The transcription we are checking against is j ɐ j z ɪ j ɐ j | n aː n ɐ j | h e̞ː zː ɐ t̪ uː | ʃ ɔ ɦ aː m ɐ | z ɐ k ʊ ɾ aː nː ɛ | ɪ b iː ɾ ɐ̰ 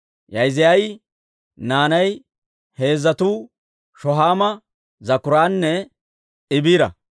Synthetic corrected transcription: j ɐ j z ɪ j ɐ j | n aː n ɐ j | h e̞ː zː ɐ t̪ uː | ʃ ɔ ɦ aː m ɐ | z ɐ k ʊ ɾ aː nː ɛ | ɪ b iː ɾ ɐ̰